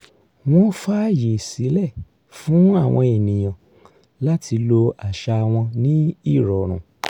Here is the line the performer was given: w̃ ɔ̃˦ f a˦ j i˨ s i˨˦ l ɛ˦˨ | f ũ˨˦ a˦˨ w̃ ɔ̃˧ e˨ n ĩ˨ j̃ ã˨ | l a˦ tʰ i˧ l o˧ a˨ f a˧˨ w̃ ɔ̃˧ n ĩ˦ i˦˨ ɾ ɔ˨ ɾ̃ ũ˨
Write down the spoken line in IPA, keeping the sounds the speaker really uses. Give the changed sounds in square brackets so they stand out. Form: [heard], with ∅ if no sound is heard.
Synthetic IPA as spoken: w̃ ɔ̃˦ f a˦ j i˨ s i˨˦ l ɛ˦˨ | f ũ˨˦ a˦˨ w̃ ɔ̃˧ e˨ n ĩ˨ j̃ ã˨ | l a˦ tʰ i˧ l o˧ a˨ [ʃ] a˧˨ w̃ ɔ̃˧ n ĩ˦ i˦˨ ɾ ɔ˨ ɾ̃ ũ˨

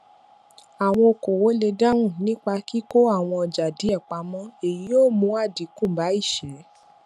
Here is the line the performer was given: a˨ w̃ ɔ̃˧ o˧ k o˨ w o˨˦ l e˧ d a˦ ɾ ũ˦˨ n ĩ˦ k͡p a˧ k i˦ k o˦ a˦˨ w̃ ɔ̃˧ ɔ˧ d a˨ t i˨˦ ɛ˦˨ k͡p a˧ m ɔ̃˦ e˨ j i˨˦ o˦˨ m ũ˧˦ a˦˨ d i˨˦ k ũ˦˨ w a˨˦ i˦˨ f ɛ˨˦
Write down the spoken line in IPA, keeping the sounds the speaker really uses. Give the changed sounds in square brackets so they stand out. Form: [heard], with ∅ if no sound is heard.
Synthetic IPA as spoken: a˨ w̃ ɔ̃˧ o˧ k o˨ w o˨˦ l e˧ d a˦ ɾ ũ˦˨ n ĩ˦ k͡p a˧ k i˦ k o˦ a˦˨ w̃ ɔ̃˧ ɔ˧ [d͡ʒ] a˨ [d] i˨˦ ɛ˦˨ k͡p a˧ m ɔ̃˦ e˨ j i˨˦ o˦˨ m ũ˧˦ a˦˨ d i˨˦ k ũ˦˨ [b] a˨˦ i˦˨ [ʃ] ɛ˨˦

